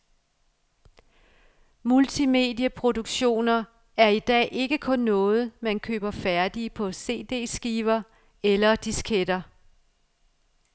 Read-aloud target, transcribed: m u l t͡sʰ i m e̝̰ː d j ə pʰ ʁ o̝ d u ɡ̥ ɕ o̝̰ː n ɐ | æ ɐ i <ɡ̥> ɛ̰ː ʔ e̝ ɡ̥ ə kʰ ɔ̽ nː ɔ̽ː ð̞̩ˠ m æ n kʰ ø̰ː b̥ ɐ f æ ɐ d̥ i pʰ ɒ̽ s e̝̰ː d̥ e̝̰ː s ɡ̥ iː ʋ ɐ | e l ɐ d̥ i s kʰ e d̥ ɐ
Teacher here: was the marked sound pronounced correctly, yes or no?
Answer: no